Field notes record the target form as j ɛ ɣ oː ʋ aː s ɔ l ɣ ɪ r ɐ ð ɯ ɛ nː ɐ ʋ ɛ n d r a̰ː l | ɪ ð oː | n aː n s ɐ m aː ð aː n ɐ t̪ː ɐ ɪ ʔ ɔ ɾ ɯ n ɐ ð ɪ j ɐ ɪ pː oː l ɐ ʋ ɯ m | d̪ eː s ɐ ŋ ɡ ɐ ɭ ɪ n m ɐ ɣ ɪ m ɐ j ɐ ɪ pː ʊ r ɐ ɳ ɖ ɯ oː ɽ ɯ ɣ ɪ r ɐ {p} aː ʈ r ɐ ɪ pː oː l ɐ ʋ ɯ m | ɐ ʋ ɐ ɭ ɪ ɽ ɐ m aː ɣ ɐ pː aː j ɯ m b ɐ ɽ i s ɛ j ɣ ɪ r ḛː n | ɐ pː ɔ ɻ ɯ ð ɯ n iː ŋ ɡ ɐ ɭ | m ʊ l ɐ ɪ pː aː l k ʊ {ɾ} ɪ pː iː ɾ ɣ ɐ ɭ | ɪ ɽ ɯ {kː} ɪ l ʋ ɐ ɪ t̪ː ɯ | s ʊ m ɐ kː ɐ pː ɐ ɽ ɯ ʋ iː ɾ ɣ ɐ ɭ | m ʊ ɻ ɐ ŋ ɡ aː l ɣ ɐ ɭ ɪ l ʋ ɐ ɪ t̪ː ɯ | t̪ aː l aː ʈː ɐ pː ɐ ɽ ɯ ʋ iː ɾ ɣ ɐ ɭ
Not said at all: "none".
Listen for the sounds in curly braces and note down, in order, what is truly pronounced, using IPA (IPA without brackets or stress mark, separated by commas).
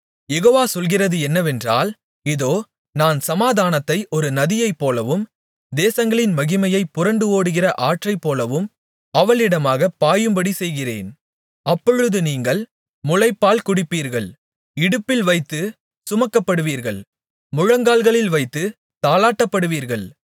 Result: ʔ, ɽ, pː